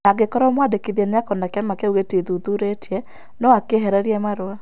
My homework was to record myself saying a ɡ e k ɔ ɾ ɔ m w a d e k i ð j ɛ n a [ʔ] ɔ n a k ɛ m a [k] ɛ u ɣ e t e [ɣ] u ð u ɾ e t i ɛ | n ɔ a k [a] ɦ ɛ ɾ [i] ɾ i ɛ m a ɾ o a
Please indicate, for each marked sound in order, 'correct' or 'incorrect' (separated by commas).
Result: incorrect, correct, incorrect, incorrect, incorrect